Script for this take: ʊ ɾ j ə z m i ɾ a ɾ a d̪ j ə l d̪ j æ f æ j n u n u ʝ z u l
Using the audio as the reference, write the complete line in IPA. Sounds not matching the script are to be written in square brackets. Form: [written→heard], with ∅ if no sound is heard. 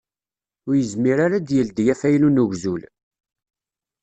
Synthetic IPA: ʊ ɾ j ə z m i ɾ a ɾ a d̪ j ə l d̪ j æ f æ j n u n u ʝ z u l